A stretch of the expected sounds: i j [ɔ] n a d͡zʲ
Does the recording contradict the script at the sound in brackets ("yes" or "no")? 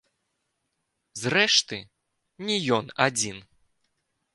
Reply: no